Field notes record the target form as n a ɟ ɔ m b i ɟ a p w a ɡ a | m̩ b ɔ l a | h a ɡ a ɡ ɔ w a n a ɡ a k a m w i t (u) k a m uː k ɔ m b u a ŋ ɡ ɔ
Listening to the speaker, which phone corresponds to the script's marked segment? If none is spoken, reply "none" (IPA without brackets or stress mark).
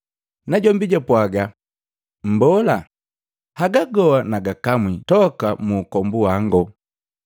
ɔ